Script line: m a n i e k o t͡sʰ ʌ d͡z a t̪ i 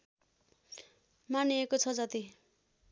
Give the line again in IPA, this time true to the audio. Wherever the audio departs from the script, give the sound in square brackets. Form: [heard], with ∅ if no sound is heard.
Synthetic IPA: m a n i e k o t͡sʰ ʌ d͡z [ʌ] t̪ i